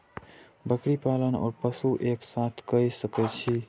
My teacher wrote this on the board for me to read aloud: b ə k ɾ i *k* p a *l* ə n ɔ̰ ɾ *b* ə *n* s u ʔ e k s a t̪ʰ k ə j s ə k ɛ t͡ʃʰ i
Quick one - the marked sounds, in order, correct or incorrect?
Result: incorrect: none, correct, incorrect: p, incorrect: none

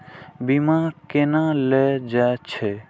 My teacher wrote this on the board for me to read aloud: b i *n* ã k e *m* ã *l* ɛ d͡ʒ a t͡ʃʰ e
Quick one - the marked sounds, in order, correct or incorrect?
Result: incorrect: m, incorrect: n, correct

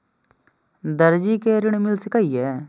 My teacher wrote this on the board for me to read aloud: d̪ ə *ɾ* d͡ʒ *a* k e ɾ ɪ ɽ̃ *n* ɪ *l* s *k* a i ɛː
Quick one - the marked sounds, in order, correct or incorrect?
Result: correct, incorrect: i, incorrect: m, correct, correct

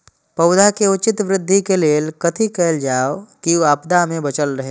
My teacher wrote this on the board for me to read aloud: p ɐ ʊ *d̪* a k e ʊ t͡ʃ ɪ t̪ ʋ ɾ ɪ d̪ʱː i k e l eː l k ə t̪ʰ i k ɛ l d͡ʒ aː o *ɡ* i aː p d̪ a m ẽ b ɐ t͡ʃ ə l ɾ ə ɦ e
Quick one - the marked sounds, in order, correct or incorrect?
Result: correct, incorrect: k

